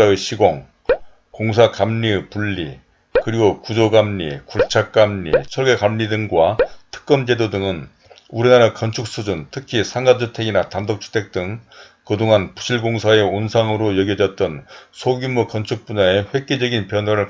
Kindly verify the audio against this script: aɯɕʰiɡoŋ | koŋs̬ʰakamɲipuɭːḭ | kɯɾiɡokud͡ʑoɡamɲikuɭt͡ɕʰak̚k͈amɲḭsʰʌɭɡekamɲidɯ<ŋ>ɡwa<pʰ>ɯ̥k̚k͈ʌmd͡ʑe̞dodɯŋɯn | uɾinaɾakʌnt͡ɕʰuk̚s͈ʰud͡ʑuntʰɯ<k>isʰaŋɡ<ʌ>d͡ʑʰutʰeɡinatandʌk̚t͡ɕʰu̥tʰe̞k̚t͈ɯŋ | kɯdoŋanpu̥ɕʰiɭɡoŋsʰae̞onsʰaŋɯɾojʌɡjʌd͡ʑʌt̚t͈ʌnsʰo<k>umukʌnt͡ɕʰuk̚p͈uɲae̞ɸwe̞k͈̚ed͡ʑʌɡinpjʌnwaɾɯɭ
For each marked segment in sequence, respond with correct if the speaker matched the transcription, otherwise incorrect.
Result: correct, incorrect: tʰ, incorrect: kʰ, incorrect: a, incorrect: ɡ

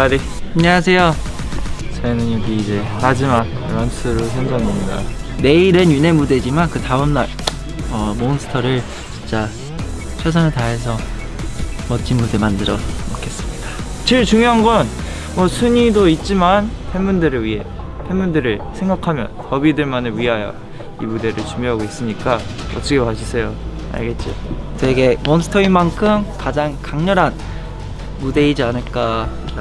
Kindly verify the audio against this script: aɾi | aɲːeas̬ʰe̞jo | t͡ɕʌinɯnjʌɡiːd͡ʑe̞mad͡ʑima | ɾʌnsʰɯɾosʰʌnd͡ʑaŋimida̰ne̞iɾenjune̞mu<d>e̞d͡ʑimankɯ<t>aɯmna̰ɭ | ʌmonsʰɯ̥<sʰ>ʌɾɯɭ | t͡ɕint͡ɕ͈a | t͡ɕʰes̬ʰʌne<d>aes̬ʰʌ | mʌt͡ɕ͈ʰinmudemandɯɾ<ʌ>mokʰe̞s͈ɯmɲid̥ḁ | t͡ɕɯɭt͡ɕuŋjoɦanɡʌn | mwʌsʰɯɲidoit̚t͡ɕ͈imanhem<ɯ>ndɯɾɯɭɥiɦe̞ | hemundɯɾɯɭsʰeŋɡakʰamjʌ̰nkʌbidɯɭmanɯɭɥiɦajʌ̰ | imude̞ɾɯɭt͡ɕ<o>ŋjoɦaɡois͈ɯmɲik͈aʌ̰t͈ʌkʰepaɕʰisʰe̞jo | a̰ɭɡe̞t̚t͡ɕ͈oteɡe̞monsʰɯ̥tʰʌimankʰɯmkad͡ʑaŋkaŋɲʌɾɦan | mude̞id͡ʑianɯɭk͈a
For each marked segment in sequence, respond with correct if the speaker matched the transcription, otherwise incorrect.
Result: correct, correct, incorrect: tʰ, incorrect: t, correct, incorrect: u, incorrect: u

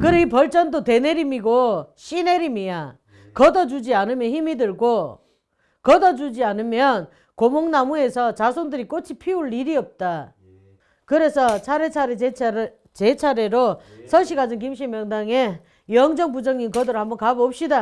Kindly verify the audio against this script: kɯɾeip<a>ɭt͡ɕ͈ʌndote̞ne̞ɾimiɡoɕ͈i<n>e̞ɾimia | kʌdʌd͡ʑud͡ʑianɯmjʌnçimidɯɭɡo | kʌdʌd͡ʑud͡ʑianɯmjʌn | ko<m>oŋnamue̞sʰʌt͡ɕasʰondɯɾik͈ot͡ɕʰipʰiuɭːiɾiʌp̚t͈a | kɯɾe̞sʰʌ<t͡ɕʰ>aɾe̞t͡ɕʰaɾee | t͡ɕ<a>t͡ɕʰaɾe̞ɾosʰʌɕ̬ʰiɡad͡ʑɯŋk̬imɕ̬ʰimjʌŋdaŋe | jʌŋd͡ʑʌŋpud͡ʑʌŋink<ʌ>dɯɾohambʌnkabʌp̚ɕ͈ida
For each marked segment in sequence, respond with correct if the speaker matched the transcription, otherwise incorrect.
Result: incorrect: ʌ, correct, correct, correct, incorrect: e, correct

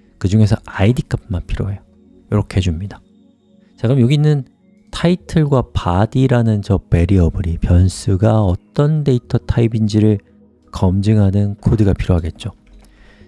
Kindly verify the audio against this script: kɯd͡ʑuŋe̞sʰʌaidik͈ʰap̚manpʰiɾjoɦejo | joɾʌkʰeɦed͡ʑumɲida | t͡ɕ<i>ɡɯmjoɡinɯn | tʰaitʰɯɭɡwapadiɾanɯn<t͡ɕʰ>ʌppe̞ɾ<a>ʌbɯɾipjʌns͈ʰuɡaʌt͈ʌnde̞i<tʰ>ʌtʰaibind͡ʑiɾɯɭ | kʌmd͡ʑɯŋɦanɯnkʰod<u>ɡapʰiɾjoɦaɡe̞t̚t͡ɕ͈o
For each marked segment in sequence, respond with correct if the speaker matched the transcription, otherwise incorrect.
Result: incorrect: a, incorrect: t͡ɕ, incorrect: i, correct, incorrect: ɯ

